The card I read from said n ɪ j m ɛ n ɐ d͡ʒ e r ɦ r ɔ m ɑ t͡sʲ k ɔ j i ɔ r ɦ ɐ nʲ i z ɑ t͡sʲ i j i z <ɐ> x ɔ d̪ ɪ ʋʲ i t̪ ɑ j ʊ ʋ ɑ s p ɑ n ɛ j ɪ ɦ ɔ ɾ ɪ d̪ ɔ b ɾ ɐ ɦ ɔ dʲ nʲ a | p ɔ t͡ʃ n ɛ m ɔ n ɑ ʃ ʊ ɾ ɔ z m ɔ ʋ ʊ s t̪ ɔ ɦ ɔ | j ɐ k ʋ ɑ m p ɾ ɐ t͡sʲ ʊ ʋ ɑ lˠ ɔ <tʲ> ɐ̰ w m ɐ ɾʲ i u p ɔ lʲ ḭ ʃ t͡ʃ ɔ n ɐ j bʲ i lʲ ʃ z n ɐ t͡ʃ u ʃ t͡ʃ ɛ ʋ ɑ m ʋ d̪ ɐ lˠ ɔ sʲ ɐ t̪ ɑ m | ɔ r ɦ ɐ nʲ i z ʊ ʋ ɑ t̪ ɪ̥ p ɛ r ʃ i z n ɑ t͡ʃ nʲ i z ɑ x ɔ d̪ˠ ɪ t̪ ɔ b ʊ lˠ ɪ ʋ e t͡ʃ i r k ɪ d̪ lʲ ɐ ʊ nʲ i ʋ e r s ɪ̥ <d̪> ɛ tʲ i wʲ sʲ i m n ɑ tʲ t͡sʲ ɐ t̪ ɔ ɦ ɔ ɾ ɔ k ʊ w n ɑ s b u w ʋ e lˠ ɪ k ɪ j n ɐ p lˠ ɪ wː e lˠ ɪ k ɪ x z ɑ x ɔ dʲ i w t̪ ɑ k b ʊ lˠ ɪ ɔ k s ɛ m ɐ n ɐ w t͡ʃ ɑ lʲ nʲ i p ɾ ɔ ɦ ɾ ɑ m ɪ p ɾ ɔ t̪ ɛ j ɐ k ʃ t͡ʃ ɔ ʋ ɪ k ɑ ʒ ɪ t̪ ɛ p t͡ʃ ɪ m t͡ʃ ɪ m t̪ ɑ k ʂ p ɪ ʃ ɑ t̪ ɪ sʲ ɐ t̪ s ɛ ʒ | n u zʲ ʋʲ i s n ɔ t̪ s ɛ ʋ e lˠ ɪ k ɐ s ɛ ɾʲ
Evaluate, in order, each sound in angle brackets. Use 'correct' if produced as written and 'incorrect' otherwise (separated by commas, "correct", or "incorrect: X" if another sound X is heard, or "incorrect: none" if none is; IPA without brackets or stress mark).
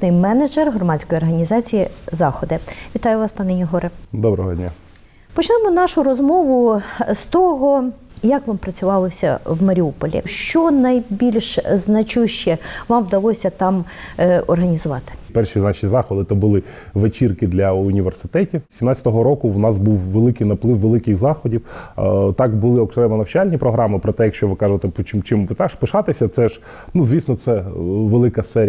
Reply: incorrect: ɑ, incorrect: sʲ, incorrect: t̪